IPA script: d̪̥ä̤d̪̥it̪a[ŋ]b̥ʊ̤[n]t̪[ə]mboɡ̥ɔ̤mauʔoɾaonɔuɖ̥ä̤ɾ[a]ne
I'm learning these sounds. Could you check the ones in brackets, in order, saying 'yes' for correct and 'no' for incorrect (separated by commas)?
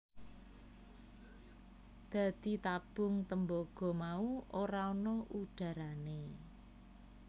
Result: no, no, yes, yes